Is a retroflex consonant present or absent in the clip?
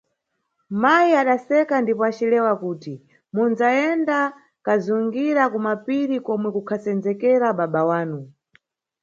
absent